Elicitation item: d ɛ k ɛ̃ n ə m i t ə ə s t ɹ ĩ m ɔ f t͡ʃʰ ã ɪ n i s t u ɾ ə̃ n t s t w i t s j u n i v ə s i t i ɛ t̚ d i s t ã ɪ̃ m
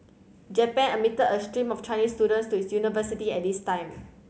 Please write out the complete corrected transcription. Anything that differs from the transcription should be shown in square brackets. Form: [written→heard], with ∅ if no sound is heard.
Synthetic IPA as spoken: [d→d͡ʒ] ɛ [k→p] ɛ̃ n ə m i t ə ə s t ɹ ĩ m ɔ f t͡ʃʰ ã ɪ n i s t u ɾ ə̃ n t s t [w→u] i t s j u n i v ə s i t i ɛ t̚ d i s t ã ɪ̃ m